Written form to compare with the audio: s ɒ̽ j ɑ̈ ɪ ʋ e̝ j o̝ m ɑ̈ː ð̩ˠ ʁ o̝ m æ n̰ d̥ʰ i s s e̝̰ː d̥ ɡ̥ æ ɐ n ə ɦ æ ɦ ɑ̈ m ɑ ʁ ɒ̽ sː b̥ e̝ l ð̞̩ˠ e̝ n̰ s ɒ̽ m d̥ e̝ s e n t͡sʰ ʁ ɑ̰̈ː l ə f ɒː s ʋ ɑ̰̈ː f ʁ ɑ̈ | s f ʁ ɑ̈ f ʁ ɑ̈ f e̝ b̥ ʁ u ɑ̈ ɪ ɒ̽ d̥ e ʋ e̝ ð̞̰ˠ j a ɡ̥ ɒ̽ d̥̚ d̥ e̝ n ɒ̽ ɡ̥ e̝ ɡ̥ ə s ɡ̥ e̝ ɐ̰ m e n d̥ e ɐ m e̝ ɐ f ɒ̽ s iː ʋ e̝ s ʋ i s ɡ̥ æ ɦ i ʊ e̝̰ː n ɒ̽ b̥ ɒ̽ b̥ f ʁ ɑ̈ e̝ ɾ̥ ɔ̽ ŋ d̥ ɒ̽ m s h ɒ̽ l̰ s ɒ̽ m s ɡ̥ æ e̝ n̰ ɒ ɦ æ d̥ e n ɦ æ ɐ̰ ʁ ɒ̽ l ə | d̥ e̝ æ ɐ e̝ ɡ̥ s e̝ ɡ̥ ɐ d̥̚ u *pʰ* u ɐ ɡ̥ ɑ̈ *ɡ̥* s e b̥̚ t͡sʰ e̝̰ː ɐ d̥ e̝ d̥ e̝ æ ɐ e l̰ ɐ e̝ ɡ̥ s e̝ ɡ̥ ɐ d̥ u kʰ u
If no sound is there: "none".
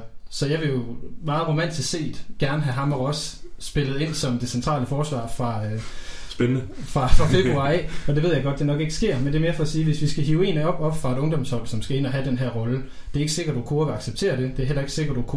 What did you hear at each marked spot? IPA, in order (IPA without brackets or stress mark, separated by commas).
kʰ, ɡ̥